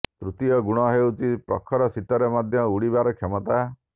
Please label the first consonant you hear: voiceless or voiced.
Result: voiceless